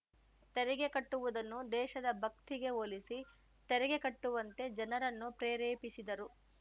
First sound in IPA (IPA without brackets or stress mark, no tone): t̪